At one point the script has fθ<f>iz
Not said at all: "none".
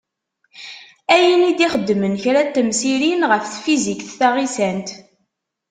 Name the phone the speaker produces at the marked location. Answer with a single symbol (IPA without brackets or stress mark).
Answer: f